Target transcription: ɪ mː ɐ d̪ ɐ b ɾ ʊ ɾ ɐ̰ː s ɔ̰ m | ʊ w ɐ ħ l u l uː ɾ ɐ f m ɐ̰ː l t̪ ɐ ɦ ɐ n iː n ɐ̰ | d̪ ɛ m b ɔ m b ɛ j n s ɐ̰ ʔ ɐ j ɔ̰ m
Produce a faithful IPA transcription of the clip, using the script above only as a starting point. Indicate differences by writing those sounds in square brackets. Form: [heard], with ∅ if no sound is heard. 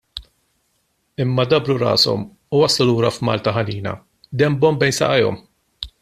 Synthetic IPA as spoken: ɪ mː ɐ d̪ ɐ b ɾ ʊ ɾ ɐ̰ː s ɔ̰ m | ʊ w ɐ [s] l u l uː ɾ ɐ f m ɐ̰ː l t̪ ɐ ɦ ɐ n iː n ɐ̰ | d̪ ɛ m b ɔ m b ɛ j n s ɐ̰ ʔ ɐ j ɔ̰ m